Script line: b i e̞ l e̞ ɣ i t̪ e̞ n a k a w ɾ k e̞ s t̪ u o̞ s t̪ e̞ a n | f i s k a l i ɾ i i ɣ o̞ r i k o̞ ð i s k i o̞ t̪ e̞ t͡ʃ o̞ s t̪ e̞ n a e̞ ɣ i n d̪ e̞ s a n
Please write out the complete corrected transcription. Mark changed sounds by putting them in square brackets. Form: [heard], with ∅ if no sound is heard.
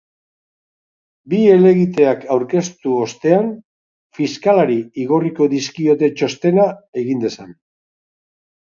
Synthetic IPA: b i e̞ l e̞ ɣ i t̪ e̞ [∅] a k a w ɾ k e̞ s t̪ u o̞ s t̪ e̞ a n | f i s k a l [a] ɾ i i ɣ o̞ r i k o̞ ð i s k i o̞ t̪ e̞ t͡ʃ o̞ s t̪ e̞ n a e̞ ɣ i n d̪ e̞ s a n